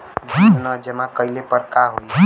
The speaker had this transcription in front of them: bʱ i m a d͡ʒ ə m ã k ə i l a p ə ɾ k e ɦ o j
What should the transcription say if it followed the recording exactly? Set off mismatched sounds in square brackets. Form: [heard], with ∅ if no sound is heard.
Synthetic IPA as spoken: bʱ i [n] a d͡ʒ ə m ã k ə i l [e] p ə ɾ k [a] ɦ o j